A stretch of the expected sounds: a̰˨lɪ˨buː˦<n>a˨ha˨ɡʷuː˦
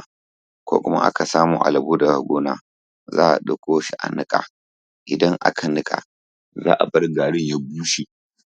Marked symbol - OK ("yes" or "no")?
no